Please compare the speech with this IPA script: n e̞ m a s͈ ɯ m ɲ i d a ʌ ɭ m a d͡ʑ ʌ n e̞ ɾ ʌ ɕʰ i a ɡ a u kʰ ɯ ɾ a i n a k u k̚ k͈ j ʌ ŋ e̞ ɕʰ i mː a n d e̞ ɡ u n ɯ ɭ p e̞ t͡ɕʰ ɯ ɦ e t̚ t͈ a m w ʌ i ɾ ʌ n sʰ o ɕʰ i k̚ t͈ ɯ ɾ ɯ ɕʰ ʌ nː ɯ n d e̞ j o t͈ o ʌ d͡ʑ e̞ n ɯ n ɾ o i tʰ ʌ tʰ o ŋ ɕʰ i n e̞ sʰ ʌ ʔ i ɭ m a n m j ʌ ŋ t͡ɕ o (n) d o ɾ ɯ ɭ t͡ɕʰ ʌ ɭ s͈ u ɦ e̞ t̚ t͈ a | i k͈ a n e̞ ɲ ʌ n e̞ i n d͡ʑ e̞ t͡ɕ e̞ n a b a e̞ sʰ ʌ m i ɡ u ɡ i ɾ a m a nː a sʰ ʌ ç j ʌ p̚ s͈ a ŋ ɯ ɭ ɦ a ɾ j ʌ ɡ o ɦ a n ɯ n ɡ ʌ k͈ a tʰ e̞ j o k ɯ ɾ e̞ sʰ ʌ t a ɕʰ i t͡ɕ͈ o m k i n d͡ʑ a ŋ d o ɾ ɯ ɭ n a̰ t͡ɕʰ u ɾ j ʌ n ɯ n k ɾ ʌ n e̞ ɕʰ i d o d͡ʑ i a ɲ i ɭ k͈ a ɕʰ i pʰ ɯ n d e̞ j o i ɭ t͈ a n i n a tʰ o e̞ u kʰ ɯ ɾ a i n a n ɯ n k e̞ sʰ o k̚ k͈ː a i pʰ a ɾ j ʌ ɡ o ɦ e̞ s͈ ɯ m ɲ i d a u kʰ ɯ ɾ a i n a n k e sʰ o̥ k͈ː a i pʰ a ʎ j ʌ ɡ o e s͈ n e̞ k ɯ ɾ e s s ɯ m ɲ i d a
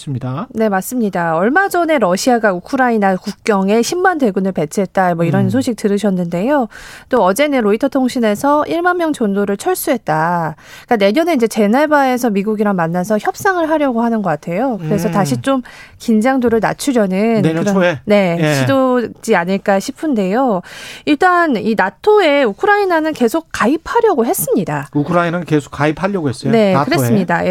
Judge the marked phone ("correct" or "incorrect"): correct